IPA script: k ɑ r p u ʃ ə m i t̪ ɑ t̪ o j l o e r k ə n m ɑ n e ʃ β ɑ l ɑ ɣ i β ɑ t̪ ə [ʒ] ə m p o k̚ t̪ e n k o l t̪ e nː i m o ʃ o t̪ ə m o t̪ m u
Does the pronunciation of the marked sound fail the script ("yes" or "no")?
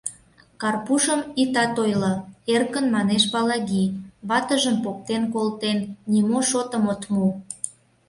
no